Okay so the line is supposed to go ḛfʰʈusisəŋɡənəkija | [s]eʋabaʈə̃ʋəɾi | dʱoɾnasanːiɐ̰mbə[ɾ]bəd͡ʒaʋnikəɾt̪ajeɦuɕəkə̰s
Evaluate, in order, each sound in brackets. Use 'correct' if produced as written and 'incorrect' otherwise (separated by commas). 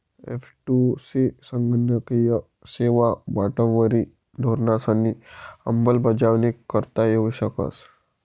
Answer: correct, incorrect